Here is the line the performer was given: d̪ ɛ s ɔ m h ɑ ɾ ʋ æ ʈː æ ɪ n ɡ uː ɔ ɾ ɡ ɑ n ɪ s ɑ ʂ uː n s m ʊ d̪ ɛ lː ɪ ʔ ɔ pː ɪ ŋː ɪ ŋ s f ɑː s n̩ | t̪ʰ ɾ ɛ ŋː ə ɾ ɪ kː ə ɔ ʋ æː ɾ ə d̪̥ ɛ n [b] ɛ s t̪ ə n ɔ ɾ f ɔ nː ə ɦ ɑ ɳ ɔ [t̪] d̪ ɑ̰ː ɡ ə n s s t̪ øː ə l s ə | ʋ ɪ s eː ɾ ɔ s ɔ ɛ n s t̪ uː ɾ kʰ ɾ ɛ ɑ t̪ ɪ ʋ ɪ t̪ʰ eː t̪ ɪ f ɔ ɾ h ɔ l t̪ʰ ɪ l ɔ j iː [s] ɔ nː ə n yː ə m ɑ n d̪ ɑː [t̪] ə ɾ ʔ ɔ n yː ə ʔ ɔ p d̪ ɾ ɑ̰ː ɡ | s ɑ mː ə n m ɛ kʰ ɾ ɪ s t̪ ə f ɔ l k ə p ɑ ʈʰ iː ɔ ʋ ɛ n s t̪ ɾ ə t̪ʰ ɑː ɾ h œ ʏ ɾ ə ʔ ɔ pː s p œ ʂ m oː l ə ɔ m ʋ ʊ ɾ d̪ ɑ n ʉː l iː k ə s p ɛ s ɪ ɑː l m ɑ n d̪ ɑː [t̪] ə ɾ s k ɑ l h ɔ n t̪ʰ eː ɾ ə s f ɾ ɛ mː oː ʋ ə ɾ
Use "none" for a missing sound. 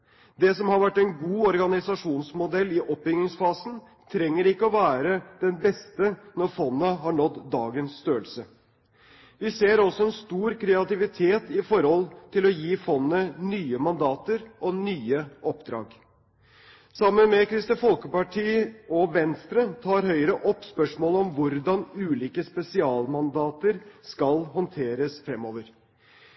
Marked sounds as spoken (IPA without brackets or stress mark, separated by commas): b, t̪, f, t̪, t̪